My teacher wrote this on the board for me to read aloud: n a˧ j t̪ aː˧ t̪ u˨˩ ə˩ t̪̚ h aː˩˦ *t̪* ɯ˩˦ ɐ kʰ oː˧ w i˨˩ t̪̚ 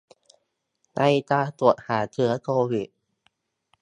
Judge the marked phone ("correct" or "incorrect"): incorrect